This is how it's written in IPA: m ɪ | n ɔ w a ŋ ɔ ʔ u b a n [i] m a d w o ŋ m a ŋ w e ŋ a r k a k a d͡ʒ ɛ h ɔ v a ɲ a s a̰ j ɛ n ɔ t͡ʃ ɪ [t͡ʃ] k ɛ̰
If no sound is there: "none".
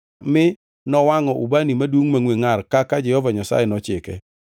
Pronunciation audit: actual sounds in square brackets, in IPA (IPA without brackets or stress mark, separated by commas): i, none